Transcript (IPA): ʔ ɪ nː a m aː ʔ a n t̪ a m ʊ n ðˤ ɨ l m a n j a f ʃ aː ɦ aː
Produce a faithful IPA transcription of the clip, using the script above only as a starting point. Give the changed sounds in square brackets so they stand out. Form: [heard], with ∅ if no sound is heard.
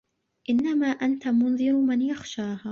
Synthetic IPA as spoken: ʔ ɪ nː a m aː ʔ a n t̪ a m ʊ n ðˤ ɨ [ɾ] m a n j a [x] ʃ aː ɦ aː